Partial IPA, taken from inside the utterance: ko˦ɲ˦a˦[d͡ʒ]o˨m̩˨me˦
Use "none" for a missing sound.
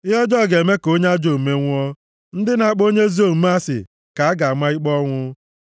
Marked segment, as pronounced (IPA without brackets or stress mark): d͡ʒ